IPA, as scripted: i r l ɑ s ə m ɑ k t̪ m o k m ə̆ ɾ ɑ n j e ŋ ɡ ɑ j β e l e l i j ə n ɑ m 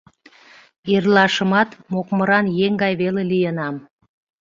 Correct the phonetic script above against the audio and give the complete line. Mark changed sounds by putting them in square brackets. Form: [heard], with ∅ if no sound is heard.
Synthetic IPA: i r l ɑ [ʃ] ə m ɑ [∅] t̪ m o k m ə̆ ɾ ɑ n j e ŋ ɡ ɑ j β e l e l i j ə n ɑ m